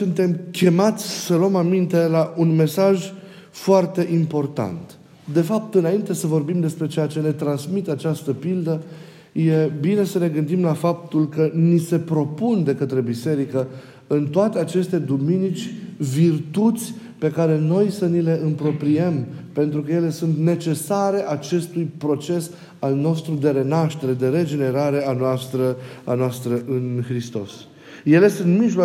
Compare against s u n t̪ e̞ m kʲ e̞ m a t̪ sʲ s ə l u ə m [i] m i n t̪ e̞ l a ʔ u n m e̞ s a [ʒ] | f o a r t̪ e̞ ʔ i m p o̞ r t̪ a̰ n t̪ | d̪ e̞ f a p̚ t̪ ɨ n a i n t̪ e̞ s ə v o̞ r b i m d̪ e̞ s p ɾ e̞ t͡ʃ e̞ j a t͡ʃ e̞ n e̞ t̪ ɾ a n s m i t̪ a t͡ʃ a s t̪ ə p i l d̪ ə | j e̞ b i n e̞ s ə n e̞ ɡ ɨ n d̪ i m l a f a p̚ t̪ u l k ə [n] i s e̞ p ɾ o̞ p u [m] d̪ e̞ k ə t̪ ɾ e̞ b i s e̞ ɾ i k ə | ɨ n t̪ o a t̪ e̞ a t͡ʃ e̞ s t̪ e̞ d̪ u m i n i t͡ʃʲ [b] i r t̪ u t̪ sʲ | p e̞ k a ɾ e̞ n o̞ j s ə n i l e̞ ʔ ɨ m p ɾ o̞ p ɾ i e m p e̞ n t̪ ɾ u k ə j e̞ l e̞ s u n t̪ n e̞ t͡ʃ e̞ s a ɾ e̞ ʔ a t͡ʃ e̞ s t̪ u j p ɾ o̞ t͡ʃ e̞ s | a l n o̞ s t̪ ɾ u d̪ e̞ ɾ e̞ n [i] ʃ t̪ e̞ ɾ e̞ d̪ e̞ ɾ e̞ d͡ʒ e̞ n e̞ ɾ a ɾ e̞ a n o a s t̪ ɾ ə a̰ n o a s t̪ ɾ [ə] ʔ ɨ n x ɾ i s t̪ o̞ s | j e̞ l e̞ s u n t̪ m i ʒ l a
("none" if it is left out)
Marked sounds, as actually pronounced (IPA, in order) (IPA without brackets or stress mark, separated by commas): a, ʒ, n, n, v, a, ə